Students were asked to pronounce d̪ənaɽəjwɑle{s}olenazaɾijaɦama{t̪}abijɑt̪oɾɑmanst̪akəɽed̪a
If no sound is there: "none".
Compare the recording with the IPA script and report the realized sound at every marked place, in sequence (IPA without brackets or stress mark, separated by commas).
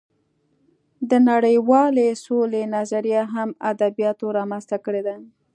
s, d̪